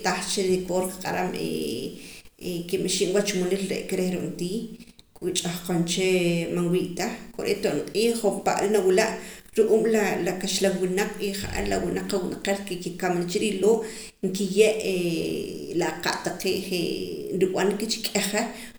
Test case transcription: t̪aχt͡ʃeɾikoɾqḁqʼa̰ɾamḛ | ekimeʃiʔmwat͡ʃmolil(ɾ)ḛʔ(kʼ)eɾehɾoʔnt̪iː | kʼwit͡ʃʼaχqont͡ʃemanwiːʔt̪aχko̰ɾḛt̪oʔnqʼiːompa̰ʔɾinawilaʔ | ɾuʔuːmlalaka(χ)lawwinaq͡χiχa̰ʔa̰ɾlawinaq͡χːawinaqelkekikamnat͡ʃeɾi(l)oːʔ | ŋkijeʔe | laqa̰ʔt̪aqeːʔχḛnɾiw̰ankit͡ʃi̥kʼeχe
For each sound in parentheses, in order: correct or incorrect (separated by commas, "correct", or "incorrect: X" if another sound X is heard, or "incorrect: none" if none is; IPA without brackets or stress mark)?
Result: correct, incorrect: k, incorrect: ʃ, correct